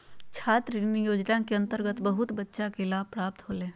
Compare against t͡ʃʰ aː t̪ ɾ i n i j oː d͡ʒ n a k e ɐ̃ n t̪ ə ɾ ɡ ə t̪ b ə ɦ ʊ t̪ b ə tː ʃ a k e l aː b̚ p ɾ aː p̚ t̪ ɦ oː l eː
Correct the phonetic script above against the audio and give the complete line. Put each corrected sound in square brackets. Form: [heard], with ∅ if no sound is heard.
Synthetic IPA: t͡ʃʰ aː t̪ ɾ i n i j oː d͡ʒ n a k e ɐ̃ n t̪ ə ɾ ɡ ə t̪ b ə ɦ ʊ t̪ b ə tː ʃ a k e l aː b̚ p ɾ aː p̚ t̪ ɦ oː l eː